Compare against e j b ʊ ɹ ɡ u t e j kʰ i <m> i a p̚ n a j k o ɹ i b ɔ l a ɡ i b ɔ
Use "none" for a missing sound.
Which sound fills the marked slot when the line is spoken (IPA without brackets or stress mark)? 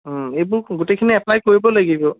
n